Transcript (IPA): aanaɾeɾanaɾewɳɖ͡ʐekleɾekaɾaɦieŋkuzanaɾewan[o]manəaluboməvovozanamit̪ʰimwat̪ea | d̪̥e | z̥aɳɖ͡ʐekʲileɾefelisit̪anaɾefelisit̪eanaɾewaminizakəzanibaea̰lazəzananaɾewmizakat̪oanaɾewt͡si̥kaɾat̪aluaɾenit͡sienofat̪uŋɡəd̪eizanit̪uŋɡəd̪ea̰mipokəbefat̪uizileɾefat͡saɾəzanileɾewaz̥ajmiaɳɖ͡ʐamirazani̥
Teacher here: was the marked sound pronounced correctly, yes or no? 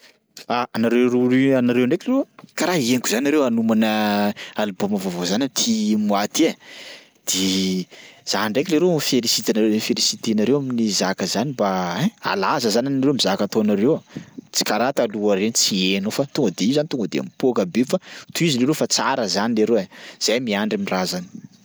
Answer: no